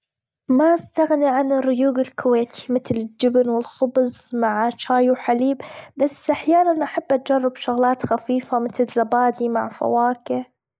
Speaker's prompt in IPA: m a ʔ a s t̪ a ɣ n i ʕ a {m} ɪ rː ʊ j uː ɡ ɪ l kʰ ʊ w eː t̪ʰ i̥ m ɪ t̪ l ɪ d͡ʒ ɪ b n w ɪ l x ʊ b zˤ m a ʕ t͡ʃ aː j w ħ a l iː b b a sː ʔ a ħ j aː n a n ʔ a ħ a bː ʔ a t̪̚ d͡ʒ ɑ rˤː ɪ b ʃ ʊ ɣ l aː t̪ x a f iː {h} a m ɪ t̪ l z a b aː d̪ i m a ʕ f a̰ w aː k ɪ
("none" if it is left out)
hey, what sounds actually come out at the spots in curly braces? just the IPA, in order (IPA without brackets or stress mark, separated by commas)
n, f